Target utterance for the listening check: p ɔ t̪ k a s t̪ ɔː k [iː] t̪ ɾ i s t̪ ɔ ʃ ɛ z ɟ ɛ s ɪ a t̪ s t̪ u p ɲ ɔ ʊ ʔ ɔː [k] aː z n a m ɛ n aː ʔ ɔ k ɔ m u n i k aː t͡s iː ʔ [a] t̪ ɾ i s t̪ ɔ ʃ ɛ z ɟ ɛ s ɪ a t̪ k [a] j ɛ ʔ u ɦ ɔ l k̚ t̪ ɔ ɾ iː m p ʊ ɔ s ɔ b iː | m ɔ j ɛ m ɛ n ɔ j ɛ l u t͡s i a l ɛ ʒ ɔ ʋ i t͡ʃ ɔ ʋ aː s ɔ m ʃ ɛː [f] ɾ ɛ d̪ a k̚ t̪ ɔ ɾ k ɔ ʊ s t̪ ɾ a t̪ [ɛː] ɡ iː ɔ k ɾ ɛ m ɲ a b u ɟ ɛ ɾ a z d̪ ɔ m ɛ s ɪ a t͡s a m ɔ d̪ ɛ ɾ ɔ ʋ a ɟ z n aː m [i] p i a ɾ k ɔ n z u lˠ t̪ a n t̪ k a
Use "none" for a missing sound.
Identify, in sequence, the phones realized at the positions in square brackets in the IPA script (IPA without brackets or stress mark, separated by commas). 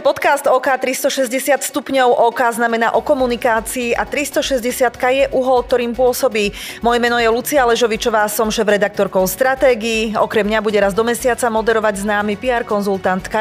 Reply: aː, k, a, a, v, ɛː, i